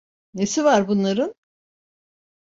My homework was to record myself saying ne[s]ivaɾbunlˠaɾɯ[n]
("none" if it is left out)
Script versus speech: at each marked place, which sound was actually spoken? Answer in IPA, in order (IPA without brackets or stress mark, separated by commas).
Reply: s, n